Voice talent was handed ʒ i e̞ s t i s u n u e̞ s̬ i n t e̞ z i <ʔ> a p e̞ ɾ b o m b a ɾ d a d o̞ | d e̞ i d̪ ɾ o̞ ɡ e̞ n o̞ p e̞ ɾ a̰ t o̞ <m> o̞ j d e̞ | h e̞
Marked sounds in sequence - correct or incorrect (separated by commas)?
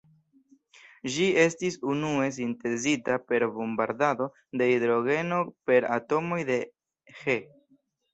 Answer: incorrect, correct